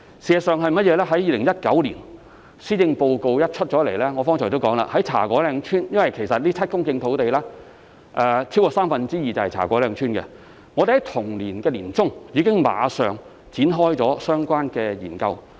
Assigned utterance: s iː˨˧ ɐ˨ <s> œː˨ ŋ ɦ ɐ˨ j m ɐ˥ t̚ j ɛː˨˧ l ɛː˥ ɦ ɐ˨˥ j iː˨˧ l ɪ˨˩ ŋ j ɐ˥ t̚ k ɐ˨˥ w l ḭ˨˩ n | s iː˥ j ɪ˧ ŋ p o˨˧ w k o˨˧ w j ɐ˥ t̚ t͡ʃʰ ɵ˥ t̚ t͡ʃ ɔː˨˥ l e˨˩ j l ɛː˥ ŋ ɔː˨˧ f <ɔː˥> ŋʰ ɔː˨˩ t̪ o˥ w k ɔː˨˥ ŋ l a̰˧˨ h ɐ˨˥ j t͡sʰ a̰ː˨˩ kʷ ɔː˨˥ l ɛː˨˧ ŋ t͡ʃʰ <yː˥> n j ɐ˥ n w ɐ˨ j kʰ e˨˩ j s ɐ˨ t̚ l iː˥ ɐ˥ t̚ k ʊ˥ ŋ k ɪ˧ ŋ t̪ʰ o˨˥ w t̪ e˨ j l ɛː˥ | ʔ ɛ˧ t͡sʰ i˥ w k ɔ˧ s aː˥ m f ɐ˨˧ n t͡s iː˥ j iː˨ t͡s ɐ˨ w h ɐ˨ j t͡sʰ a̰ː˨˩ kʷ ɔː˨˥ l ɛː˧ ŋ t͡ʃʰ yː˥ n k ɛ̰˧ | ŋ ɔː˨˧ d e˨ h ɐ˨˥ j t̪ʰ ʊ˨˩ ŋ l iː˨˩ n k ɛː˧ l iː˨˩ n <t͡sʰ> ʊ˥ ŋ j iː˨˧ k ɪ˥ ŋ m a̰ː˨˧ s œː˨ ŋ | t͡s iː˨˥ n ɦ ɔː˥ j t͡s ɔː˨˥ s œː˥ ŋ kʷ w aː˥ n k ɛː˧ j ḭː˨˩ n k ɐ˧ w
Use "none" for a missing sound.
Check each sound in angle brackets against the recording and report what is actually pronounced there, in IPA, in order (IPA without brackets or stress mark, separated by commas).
s, ɔː˥, yː˥, t͡s